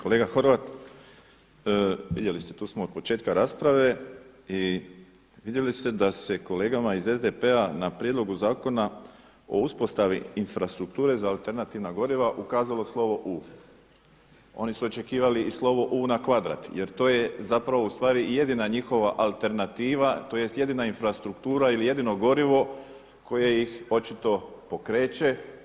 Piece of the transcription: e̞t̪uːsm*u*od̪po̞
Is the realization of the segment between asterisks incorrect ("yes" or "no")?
yes